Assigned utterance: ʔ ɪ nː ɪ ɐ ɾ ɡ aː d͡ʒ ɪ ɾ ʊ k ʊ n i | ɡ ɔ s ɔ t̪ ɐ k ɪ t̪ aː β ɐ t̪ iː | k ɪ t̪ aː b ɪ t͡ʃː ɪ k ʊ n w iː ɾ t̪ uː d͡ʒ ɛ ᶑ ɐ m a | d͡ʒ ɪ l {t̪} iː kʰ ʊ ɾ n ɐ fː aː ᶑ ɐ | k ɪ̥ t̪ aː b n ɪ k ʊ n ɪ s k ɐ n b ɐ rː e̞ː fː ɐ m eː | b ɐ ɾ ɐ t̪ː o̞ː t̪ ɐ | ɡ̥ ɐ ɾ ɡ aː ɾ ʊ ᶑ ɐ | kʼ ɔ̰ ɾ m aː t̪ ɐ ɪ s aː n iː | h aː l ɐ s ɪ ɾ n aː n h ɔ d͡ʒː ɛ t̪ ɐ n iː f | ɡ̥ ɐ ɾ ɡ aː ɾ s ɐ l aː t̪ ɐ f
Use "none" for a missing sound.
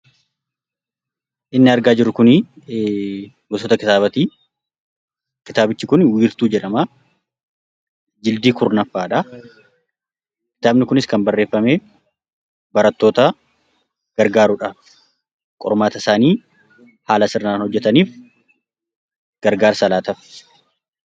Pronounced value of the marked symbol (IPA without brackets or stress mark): d̪